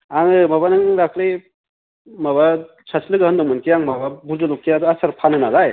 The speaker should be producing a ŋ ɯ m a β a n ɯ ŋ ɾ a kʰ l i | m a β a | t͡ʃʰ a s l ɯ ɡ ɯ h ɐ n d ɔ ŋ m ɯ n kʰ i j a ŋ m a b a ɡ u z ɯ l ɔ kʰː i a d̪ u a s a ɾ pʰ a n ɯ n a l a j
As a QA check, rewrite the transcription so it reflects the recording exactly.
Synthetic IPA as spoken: a ŋ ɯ m a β a n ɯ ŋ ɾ a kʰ l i | m a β a | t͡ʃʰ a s l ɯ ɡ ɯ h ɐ n d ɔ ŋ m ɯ n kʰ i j a ŋ m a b a b u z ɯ l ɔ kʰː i a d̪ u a s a ɾ pʰ a n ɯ n a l a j